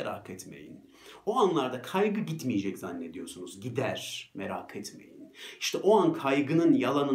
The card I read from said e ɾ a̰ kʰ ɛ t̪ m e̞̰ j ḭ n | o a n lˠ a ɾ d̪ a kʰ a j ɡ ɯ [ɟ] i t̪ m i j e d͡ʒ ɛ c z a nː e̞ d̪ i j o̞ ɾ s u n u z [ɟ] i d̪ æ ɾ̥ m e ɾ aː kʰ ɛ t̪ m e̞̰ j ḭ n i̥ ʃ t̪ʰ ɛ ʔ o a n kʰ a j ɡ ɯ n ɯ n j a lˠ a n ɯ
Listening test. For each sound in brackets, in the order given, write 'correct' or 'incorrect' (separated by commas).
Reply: correct, correct